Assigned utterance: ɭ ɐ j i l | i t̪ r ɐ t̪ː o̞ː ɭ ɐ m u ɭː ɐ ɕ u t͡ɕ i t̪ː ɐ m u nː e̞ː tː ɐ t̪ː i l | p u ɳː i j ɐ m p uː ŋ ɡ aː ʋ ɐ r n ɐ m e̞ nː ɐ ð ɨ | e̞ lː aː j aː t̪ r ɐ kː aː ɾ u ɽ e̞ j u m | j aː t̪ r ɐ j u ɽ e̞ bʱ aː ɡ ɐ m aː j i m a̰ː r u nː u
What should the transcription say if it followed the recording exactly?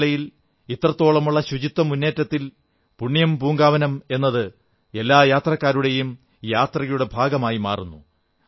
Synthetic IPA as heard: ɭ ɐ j i l | i t̪ r ɐ t̪ː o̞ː ɭ ɐ m u ɭː ɐ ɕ u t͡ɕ i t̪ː ɐ m u nː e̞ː tː ɐ t̪ː i l | p u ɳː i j ɐ m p uː ŋ ɡ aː ʋ ɐ n ɐ m e̞ nː ɐ ð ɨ | e̞ lː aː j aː t̪ r ɐ kː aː ɾ u ɽ e̞ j u m | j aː t̪ r ɐ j u ɽ e̞ bʱ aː ɡ ɐ m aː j i m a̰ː r u nː u